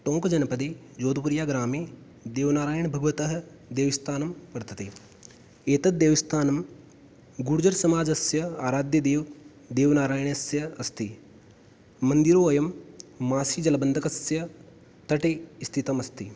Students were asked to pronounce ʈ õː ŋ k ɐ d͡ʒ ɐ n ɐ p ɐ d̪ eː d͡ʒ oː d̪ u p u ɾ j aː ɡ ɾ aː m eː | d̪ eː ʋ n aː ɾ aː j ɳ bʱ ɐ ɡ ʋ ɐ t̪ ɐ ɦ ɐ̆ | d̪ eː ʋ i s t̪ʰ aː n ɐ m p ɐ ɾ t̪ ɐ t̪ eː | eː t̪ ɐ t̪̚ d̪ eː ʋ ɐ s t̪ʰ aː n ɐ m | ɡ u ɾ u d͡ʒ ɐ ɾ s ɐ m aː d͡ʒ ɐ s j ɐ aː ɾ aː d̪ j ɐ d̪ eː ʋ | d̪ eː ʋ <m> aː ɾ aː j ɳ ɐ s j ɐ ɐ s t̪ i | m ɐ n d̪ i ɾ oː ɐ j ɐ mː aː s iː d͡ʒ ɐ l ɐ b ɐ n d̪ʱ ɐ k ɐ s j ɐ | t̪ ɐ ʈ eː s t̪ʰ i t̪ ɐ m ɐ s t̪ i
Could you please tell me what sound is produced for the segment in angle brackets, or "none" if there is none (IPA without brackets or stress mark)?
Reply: n